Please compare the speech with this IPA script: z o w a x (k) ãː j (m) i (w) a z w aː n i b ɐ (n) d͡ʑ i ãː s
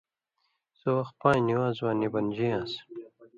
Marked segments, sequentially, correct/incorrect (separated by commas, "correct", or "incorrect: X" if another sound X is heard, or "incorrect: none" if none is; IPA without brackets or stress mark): incorrect: p, incorrect: n, correct, correct